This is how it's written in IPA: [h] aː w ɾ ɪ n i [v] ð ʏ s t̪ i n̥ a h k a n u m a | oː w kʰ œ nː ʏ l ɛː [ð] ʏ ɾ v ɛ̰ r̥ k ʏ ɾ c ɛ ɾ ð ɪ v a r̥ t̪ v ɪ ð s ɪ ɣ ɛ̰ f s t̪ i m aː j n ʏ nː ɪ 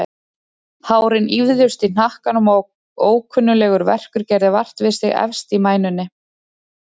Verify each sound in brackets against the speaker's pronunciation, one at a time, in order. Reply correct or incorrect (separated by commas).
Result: correct, correct, incorrect